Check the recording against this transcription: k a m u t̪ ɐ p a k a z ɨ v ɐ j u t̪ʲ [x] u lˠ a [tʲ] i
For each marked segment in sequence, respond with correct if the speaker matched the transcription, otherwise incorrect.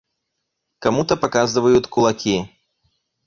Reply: incorrect, incorrect

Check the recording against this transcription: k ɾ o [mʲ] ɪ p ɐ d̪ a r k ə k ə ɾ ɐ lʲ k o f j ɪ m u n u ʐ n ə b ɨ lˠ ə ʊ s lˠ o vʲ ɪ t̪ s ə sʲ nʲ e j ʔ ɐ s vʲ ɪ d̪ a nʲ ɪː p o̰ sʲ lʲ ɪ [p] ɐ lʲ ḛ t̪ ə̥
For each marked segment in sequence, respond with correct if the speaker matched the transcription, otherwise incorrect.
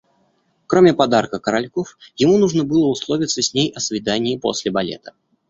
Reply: correct, incorrect

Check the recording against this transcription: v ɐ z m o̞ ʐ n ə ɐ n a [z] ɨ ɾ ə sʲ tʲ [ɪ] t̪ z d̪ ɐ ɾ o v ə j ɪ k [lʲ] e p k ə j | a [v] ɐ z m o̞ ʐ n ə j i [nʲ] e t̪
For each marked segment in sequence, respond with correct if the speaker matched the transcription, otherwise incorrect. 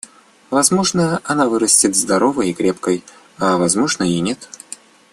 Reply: incorrect, correct, incorrect, correct, correct

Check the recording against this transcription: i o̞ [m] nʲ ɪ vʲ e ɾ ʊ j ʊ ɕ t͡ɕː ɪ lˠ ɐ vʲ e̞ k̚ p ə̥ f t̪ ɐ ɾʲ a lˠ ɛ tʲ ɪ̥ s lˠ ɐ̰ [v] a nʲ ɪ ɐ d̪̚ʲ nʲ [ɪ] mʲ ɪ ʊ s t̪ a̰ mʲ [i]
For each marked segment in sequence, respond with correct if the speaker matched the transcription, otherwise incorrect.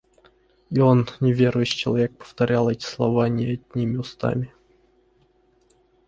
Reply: incorrect, correct, incorrect, incorrect

